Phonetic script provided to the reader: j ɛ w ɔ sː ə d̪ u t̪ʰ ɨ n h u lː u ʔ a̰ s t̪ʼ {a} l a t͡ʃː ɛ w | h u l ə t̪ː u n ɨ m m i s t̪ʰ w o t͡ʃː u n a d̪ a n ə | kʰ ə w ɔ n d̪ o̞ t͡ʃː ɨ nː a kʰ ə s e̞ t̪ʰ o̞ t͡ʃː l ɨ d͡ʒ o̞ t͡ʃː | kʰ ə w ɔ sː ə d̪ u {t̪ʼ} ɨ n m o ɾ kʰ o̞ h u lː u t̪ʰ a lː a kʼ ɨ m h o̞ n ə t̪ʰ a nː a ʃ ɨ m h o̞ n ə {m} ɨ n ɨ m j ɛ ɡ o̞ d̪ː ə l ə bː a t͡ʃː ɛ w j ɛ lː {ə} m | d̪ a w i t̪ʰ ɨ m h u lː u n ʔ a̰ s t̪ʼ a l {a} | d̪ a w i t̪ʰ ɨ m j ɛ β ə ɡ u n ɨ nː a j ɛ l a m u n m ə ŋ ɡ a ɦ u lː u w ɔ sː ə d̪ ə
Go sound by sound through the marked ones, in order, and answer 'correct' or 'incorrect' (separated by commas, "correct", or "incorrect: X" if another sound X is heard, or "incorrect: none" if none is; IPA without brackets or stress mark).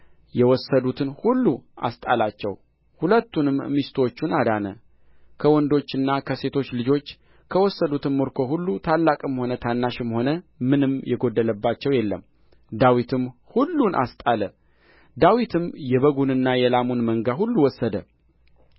correct, incorrect: t̪, correct, correct, incorrect: ə